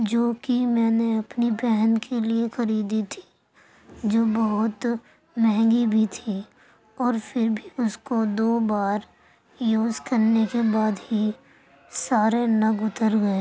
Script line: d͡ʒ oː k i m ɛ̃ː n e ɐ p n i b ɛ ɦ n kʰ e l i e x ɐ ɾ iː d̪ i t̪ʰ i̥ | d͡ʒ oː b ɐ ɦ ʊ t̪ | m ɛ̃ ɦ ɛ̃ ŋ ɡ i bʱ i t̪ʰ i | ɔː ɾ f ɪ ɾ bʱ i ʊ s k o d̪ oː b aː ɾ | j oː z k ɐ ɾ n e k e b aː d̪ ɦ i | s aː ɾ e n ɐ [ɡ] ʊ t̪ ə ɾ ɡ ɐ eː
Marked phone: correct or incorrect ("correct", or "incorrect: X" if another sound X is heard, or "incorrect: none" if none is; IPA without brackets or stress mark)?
correct